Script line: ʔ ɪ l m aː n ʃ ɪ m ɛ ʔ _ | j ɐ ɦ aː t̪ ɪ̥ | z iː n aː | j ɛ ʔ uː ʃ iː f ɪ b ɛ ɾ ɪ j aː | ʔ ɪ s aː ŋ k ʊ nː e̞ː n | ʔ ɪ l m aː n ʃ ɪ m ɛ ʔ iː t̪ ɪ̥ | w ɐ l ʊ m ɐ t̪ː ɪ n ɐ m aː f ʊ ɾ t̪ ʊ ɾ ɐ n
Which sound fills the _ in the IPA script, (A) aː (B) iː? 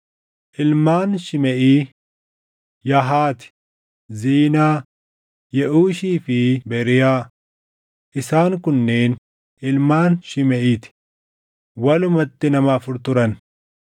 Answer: B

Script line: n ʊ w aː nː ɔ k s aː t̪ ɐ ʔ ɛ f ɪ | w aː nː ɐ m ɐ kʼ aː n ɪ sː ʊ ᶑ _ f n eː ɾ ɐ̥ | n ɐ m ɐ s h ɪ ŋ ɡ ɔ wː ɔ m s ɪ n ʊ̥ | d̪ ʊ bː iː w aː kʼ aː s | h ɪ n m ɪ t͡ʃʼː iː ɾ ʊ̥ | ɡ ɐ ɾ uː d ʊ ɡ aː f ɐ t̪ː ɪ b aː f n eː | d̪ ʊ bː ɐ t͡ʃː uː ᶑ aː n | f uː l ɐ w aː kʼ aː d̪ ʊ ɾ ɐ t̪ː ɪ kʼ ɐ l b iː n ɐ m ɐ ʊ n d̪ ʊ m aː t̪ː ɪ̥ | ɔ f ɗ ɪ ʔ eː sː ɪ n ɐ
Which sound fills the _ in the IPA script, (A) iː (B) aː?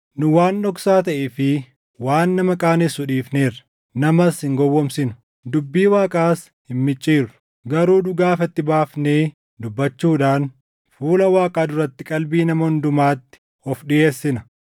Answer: A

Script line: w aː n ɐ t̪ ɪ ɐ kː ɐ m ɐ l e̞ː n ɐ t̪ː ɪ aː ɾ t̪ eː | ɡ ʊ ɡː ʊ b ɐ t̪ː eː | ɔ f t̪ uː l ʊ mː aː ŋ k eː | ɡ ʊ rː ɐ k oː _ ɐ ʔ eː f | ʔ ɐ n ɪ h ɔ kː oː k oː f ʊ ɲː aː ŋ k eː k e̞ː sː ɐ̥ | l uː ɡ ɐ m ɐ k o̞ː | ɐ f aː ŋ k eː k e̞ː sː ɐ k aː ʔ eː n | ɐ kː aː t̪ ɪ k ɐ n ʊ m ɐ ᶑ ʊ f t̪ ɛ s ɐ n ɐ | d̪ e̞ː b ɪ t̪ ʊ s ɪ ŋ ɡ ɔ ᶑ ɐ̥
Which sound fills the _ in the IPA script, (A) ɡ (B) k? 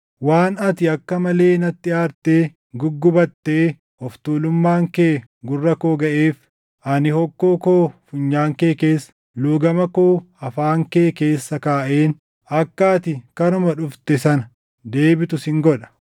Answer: A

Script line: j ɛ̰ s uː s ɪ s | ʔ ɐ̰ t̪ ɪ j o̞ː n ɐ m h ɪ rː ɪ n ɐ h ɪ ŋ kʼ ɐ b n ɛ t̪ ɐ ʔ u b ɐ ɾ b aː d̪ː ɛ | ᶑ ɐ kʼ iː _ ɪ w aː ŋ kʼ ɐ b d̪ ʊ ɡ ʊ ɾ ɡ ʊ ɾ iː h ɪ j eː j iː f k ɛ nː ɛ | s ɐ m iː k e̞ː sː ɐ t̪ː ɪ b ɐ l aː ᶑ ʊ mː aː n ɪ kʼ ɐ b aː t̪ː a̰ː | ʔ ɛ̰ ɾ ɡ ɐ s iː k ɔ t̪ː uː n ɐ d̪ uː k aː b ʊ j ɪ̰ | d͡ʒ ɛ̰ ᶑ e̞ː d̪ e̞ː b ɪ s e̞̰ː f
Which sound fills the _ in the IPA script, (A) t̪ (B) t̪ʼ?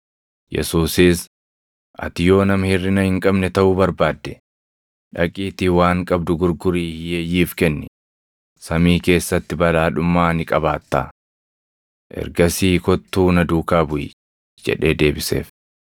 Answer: A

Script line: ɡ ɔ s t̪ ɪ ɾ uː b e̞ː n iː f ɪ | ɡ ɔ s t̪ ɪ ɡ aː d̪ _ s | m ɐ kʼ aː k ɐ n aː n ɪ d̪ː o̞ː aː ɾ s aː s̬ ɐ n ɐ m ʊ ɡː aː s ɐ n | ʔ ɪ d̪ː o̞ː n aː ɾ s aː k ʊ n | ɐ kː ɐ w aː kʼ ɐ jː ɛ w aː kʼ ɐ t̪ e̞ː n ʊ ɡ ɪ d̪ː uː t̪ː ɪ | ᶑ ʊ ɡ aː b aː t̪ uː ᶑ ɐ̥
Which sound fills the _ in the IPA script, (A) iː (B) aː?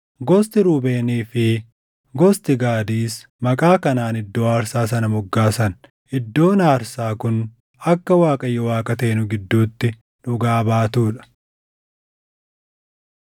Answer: A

